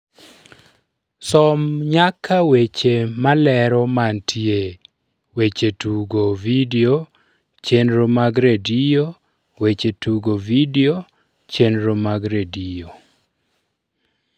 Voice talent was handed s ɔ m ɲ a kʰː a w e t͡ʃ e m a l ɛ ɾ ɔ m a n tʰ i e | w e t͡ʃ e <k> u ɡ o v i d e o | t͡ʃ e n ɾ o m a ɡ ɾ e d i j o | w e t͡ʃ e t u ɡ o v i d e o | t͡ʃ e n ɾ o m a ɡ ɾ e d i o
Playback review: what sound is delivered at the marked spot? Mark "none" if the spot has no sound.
t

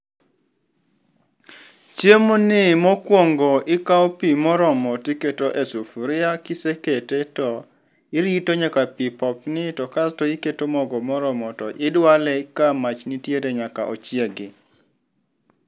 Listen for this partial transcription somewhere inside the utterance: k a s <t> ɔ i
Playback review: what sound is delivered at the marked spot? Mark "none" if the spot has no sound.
t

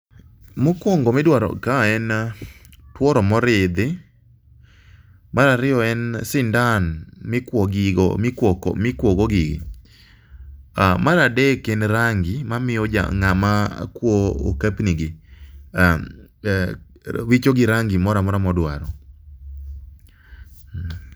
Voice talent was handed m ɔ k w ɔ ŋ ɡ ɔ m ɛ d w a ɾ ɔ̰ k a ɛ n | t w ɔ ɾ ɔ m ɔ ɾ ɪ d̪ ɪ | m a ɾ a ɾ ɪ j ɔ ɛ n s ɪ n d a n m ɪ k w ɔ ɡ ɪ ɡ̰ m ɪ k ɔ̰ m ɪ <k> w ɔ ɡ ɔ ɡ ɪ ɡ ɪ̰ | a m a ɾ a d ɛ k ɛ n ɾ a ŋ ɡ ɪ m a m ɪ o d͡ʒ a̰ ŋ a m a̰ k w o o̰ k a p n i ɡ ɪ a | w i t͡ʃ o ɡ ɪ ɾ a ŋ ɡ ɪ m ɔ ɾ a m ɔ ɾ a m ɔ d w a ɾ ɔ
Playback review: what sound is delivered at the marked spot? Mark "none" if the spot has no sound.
k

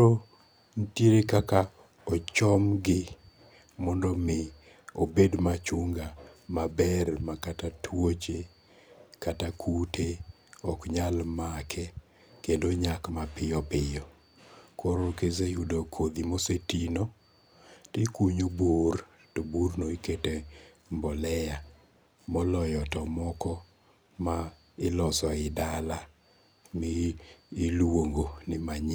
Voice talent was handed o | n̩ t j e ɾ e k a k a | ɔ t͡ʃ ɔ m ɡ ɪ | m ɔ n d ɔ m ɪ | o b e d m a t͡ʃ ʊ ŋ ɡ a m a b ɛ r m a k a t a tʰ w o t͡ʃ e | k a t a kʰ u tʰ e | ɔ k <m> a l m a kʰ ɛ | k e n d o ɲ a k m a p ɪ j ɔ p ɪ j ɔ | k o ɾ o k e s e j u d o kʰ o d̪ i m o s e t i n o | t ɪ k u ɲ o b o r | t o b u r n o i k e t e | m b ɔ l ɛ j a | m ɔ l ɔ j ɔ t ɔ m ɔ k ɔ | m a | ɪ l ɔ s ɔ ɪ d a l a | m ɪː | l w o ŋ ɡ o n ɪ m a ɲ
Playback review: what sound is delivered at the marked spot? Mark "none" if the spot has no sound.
ɲ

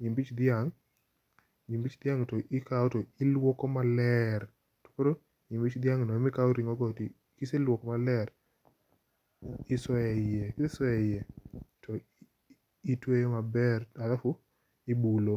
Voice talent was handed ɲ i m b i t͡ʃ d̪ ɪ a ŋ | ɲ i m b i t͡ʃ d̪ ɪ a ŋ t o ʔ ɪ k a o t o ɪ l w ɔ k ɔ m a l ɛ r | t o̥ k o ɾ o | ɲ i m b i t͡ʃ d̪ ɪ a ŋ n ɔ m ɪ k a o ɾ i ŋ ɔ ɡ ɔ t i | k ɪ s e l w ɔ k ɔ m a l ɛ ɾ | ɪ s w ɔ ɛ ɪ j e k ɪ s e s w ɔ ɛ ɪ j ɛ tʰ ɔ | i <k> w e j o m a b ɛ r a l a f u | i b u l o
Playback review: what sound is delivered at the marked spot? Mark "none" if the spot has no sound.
t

